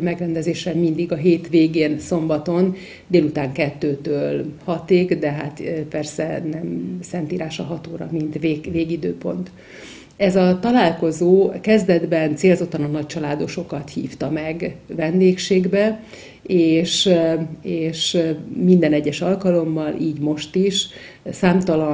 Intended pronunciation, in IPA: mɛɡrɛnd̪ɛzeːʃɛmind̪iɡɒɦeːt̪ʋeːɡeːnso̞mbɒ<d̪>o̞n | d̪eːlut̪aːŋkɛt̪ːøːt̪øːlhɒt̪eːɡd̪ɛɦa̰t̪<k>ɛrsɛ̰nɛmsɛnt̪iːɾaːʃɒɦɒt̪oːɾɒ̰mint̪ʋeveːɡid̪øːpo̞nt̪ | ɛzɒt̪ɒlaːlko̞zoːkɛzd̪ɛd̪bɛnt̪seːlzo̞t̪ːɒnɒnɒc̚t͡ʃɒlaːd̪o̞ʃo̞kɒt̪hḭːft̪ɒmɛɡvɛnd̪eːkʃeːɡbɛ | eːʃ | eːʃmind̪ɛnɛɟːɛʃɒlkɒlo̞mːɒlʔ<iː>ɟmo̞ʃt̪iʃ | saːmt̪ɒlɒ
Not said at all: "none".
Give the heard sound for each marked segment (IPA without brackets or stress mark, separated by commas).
t̪, p, iː